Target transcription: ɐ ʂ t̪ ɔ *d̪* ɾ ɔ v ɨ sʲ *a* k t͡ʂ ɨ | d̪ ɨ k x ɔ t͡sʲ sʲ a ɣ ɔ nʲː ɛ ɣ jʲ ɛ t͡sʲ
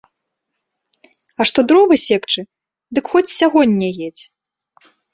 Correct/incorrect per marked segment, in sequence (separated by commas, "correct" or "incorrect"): correct, incorrect